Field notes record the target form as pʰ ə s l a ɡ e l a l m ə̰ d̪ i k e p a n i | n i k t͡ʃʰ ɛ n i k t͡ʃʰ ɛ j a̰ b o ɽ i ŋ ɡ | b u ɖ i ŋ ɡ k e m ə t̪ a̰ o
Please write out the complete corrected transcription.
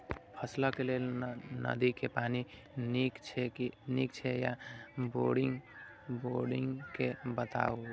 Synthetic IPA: pʰ ə s l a k e l e l n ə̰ d̪ i k e p a n i | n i k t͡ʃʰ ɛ n i k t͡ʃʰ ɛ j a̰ b o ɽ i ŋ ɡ | b o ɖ i ŋ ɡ k e b ə t̪ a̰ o

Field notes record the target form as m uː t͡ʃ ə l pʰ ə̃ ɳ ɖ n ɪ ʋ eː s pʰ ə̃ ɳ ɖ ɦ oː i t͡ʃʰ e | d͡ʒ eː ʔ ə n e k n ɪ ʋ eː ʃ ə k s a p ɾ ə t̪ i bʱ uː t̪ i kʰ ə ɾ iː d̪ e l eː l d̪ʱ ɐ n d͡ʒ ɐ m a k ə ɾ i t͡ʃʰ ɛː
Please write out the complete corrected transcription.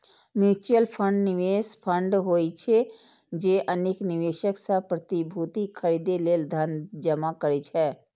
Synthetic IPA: m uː t͡ʃ ə l pʰ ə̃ ɳ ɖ n ɪ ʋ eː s pʰ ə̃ ɳ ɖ ɦ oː i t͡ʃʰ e | d͡ʒ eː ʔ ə n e k n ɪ ʋ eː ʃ ə k s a p ɾ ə t̪ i bʱ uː t̪ i kʰ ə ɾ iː d̪ e l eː l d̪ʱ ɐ n d͡ʒ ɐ m a k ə ɾ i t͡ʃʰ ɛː

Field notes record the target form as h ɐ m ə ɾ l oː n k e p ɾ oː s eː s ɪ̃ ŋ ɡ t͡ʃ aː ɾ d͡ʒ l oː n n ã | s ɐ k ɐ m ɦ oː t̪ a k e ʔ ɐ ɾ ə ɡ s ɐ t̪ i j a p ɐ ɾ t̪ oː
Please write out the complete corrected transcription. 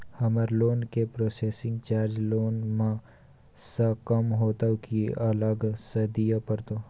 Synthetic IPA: h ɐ m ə ɾ l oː n k e p ɾ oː s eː s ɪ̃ ŋ ɡ t͡ʃ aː ɾ d͡ʒ l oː n m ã | s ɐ k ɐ m ɦ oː t̪ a k i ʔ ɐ l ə ɡ s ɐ d̪ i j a p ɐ ɾ t̪ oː

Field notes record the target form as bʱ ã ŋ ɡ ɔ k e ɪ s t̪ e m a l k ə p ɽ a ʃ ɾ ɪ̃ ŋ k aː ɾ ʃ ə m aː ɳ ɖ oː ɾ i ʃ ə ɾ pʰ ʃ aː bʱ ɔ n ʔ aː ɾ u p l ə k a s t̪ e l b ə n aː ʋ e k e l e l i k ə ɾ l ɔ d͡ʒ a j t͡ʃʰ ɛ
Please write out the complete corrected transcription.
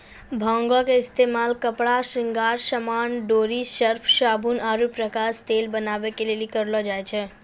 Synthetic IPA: bʱ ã ŋ ɡ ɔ k e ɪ s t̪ e m a l k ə p ɽ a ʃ ɾ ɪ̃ ŋ ɡ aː ɾ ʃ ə m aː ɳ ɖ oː ɾ i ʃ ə ɾ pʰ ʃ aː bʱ u n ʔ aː ɾ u p ɾ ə k a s t̪ e l b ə n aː ʋ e k e l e l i k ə ɾ l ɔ d͡ʒ a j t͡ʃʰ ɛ

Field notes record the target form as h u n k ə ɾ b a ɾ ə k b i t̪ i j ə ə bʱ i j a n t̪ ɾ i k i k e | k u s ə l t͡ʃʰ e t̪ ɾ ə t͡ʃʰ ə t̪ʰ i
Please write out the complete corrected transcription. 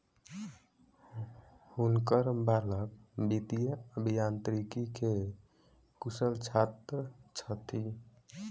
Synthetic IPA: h u n k ə ɾ b a l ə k b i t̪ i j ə ə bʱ i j a n t̪ ɾ i k i k e | k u s ə l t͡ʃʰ a t̪ ɾ ə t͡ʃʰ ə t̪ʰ i

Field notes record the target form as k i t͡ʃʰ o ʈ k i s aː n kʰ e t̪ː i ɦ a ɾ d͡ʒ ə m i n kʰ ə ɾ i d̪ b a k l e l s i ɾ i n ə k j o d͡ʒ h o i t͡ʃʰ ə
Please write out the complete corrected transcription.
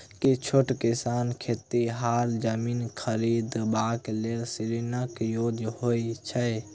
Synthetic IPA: k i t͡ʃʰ o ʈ k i s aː n kʰ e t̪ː i ɦ a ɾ d͡ʒ ə m i n kʰ ə ɾ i d̪ b a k l e l s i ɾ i n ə k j o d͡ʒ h o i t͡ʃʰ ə

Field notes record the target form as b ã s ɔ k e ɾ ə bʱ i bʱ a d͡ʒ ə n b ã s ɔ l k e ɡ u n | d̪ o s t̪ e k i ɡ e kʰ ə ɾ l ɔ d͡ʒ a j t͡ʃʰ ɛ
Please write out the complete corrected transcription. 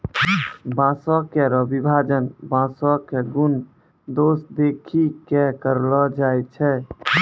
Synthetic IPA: b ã s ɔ k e ɾ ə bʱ i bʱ a d͡ʒ ə n b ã s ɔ k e ɡ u n | d̪ o s d̪ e kʰ i k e k ə ɾ l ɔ d͡ʒ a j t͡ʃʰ ɛ

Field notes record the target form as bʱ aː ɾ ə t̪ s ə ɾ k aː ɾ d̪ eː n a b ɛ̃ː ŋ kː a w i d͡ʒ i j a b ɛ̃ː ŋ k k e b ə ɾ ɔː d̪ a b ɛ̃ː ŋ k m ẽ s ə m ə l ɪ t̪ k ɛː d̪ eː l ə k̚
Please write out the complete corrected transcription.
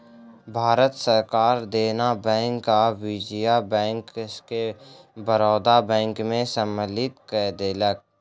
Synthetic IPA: bʱ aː ɾ ə t̪ s ə ɾ k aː ɾ d̪ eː n a b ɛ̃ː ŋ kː a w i d͡ʒ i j a b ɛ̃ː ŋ k k e b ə ɾ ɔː d̪ a b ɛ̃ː ŋ k m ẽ s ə m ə l ɪ t̪ k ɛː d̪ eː l ə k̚

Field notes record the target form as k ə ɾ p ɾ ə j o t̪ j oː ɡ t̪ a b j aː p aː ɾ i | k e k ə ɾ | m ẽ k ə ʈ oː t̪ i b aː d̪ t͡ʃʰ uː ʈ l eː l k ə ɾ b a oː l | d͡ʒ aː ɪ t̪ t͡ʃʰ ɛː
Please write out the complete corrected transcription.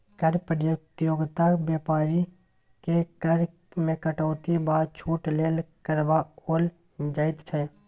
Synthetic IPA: k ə ɾ p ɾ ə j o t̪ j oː ɡ t̪ a b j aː p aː ɾ i | k e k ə ɾ | m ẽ k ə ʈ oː t̪ i b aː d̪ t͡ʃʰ uː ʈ l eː l k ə ɾ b a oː l | d͡ʒ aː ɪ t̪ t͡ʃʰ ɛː

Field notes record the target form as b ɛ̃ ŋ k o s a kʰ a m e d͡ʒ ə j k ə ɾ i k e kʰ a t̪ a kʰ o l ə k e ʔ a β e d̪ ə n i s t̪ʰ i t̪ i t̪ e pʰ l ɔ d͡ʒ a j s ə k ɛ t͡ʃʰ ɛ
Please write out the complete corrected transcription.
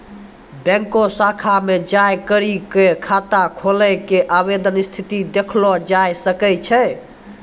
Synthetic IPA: b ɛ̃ ŋ k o s a kʰ a m e d͡ʒ a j k ə ɾ i k e kʰ a t̪ a kʰ o l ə k e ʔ a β e d̪ ə n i s t̪ʰ i t̪ i d̪ e kʰ l ɔ d͡ʒ a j s ə k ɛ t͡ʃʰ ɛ

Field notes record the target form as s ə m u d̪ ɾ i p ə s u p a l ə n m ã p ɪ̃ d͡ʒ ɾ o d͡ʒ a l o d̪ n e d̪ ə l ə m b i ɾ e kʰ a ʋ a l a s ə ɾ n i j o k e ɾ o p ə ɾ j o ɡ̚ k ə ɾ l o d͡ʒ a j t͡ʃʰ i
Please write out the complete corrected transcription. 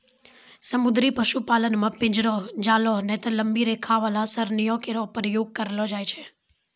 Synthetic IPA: s ə m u d̪ ɾ i p ə ʃ u p a l ə n m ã p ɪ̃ d͡ʒ ɾ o d͡ʒ a l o n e t̪ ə l ə m b i ɾ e kʰ a ʋ a l a s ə ɾ n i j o k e ɾ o p ə ɾ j o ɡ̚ k ə ɾ l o d͡ʒ a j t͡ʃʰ e

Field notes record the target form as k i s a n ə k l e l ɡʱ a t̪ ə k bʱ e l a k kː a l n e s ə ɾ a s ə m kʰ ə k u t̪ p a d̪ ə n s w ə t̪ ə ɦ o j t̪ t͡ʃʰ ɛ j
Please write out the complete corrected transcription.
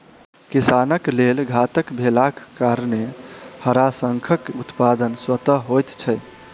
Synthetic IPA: k i s a n ə k l e l ɡʱ a t̪ ə k bʱ e l a k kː a ɾ n e h ə ɾ a s ə ŋ kʰ ə k u t̪ p a d̪ ə n s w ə t̪ ə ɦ o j t̪ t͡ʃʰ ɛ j

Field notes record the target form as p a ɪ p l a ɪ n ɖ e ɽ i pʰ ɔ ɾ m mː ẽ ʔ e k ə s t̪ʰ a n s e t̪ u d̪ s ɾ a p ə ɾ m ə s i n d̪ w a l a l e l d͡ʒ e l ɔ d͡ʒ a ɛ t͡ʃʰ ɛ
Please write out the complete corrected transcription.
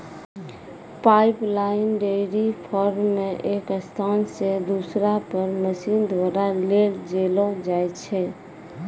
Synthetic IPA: p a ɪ p l a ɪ n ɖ e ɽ i pʰ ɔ ɾ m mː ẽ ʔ e k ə s t̪ʰ a n s e d̪ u s ɾ a p ə ɾ m ə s i n d̪ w a ɾ a l e l d͡ʒ e l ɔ d͡ʒ a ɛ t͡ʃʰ ɛ

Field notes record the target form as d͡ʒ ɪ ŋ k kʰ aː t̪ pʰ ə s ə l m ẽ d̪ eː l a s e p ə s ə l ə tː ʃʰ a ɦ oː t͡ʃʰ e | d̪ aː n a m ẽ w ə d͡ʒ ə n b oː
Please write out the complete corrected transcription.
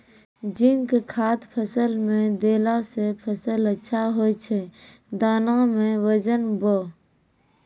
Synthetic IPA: d͡ʒ ɪ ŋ k kʰ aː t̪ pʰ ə s ə l m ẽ d̪ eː l a s e pʰ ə s ə l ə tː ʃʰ a ɦ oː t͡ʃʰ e | d̪ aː n a m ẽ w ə d͡ʒ ə n b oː

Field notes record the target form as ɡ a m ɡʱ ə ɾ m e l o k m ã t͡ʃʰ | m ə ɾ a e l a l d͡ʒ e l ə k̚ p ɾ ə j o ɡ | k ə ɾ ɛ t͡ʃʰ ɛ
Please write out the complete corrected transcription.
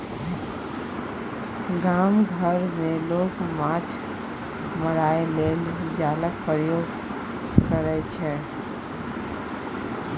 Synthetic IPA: ɡ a m ɡʱ ə ɾ m e l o k m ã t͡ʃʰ | m ə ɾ a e l e l d͡ʒ a l ə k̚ p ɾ ə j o ɡ | k ə ɾ ɛ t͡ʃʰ ɛ

